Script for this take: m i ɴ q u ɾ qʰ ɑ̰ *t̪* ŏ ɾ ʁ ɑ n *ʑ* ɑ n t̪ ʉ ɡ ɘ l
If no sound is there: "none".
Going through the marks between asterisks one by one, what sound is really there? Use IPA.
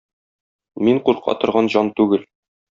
t̪, ʑ

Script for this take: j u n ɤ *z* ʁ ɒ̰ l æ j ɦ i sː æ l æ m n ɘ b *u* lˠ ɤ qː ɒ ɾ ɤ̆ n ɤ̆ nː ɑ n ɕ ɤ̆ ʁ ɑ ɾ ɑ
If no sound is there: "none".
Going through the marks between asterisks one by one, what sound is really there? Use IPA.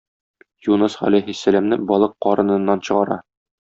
s, ɒ

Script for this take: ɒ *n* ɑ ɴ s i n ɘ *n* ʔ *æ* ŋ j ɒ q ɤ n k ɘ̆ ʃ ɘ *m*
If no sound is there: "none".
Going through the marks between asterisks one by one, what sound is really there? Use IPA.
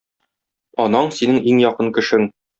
n, ŋ, i, ŋ

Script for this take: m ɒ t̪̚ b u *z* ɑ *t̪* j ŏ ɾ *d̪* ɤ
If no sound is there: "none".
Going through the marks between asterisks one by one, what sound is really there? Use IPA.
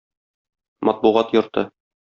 ʁ, t̪, t̪

